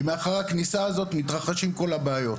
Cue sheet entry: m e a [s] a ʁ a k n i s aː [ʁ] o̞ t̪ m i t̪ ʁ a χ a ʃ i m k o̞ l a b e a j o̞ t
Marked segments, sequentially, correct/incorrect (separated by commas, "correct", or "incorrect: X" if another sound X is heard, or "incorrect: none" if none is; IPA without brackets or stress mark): incorrect: χ, incorrect: z